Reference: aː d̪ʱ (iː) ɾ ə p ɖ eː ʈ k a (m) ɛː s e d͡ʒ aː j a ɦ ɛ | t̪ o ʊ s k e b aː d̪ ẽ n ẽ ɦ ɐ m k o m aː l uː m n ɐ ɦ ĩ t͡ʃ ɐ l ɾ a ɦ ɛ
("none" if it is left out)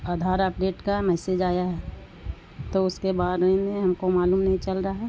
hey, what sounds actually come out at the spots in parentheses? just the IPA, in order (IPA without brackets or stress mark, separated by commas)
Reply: aː, m